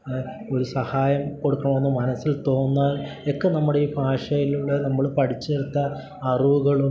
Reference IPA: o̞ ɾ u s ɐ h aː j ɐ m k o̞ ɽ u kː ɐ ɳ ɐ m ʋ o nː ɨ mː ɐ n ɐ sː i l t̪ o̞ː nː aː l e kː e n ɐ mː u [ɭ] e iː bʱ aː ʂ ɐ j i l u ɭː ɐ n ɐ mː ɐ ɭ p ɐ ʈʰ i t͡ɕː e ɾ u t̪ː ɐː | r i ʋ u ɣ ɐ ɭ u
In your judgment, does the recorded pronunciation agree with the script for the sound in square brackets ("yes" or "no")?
no